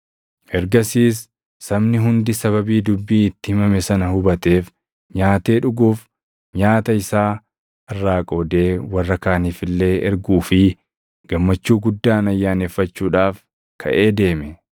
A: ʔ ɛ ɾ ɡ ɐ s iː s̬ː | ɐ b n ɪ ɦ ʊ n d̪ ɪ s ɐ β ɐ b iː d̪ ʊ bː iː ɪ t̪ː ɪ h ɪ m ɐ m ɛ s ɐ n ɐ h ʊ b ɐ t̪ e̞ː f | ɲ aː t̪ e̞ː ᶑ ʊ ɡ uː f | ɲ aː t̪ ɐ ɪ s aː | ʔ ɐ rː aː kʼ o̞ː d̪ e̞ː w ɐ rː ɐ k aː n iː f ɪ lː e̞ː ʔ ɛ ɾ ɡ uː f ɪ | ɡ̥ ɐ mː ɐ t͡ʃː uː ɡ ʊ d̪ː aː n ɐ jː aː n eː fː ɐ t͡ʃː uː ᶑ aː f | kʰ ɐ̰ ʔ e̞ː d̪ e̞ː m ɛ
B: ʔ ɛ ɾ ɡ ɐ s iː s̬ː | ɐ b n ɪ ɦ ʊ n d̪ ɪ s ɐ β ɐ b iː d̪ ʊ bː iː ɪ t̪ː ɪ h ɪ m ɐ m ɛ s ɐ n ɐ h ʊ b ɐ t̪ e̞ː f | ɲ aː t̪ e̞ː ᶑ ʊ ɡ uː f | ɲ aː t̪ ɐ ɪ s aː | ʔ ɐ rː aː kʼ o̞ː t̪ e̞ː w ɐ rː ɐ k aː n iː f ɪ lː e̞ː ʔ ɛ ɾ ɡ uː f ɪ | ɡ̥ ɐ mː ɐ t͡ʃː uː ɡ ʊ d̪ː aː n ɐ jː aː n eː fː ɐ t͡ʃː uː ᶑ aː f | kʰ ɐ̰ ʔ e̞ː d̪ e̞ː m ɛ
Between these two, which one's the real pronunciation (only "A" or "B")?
A